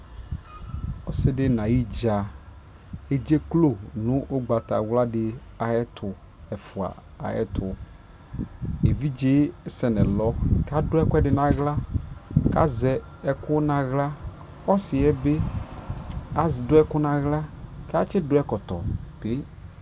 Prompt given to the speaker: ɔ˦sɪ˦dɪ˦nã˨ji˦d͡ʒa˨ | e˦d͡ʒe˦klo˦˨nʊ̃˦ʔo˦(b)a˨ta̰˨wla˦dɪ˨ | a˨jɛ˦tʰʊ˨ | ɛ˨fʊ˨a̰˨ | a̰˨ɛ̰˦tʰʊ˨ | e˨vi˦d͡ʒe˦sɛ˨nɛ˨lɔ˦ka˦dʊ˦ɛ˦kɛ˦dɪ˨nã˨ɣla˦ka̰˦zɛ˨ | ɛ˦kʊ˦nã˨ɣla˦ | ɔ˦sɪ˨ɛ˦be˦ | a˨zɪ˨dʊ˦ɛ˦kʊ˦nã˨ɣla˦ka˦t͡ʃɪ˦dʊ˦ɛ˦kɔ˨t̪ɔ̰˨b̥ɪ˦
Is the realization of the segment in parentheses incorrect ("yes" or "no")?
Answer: yes